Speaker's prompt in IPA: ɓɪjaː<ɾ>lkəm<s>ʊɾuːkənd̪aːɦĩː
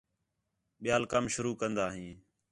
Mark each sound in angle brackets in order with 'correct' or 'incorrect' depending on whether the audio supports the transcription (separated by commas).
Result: incorrect, incorrect